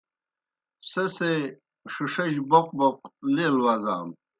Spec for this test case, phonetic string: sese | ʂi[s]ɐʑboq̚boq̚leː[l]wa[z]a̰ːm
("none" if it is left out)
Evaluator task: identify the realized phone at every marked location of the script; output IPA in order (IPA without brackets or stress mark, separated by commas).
ʂ, l, z